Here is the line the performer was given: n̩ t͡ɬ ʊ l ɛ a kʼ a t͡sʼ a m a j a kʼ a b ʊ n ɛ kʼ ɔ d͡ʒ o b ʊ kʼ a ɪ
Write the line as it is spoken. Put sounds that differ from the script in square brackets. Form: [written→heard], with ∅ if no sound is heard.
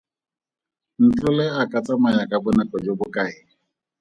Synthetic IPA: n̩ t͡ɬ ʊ l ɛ a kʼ a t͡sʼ a m a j a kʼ a b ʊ n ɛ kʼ ɔ d͡ʒ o b ʊ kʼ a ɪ

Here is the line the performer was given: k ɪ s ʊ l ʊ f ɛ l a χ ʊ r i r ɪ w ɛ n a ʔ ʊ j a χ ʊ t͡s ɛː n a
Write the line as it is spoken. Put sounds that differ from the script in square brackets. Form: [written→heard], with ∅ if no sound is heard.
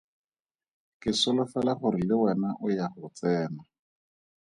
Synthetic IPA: k ɪ s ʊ l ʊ f ɛ l a χ ʊ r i [r→l] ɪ w ɛ n a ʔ ʊ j a χ ʊ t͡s ɛː n a

